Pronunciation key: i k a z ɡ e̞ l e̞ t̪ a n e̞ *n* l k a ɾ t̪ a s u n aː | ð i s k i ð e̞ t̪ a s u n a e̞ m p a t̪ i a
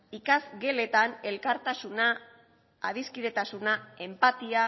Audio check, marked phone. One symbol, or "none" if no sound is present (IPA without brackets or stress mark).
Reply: none